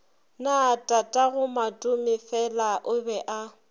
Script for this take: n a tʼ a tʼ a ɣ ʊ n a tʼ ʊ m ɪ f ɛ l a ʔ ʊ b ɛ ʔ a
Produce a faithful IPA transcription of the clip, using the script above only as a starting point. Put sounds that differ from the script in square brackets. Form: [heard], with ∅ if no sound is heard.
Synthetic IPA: n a tʼ a tʼ a ɣ ʊ [m] a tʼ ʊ m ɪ f ɛ l a ʔ ʊ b ɛ ʔ a